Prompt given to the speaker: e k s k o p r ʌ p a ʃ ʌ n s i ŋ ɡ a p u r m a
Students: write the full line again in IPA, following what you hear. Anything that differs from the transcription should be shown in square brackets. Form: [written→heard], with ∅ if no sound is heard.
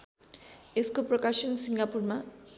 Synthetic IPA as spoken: e [k→∅] s k o p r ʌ [p→k] a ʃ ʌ n s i ŋ ɡ a p u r m a

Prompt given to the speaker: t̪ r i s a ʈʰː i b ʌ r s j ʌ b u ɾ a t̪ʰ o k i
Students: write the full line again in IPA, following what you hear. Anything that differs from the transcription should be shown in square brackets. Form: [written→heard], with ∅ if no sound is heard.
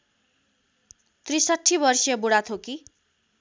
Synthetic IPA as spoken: t̪ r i s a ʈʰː i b ʌ r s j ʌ b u [ɾ→ɽ] a t̪ʰ o k i

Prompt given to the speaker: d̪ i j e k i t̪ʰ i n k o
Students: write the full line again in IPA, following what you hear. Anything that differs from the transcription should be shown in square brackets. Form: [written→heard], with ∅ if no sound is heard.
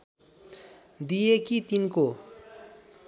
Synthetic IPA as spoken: d̪ i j e k i [t̪ʰ→t̪] i n k o

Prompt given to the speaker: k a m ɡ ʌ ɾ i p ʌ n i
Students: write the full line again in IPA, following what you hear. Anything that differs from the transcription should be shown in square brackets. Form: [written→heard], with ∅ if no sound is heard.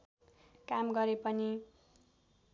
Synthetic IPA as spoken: k a m ɡ ʌ ɾ [i→e] p ʌ n i

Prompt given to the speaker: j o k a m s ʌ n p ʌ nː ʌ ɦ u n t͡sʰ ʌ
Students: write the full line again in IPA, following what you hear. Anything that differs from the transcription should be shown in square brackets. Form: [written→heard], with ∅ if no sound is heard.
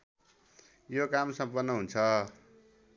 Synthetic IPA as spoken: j o k a m s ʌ [n→m] p ʌ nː ʌ ɦ u n t͡sʰ ʌ

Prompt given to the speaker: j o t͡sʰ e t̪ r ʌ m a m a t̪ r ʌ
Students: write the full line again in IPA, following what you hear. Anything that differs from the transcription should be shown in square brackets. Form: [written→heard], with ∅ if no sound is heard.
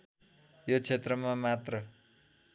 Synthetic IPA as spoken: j o t͡sʰ e t̪ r ʌ m a m a t̪ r ʌ

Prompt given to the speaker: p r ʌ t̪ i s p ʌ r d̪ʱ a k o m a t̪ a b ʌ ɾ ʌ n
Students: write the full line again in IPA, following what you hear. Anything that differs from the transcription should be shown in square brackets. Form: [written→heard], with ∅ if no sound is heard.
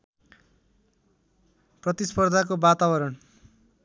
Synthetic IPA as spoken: p r ʌ t̪ i s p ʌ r d̪ʱ a k o [m→b] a t̪ a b ʌ ɾ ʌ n

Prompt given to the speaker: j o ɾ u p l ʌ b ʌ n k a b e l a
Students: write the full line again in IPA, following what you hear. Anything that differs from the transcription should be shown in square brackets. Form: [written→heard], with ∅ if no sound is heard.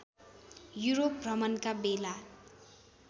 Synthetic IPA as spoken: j [o→u] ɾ [u→o] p [l→r] ʌ [b→m] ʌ n k a b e l a

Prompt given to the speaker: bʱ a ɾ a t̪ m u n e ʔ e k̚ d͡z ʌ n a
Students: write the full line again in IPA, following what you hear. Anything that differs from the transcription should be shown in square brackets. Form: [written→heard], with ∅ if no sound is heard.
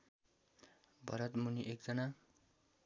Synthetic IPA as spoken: bʱ [a→ʌ] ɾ [a→ʌ] t̪ m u n [e→i] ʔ e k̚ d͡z ʌ n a

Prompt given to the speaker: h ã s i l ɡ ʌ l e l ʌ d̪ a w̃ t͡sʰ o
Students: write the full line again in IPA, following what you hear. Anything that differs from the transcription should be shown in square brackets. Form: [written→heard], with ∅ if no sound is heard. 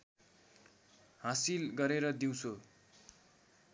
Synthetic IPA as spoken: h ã s i l ɡ ʌ [l→ɾ] e [l→ɾ] ʌ d̪ [a→i] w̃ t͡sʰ o

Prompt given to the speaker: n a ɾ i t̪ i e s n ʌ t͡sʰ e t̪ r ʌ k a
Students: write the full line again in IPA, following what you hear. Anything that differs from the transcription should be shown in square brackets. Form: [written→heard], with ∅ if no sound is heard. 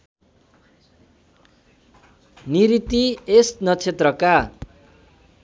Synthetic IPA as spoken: n [a→i] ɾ i t̪ i e s n ʌ t͡sʰ e t̪ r ʌ k a

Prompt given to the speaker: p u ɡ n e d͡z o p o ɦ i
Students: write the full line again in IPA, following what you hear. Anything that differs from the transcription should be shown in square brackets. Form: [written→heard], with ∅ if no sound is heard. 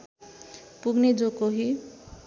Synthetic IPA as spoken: p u ɡ n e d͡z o [p→k] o ɦ i

